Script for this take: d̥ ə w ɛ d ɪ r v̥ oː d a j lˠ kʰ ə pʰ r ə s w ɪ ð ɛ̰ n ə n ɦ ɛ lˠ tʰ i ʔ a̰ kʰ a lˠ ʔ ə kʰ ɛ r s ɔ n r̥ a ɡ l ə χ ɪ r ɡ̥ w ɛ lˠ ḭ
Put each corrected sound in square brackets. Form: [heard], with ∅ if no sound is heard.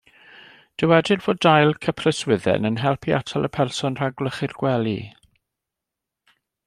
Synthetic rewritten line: d̥ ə w ɛ d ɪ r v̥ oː d a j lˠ kʰ ə pʰ r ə s w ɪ ð ɛ̰ n ə n ɦ ɛ lˠ [pʰ] i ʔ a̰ [tʰ] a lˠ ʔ ə [pʰ] ɛ r s ɔ n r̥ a ɡ l ə χ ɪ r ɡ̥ w ɛ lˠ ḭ